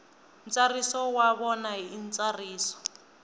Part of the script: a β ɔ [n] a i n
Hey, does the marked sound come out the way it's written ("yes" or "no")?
yes